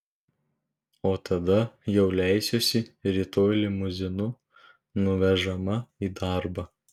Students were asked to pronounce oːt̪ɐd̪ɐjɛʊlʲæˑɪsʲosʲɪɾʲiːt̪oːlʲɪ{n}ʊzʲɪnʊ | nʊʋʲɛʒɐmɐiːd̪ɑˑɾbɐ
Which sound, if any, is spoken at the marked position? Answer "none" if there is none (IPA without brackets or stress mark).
m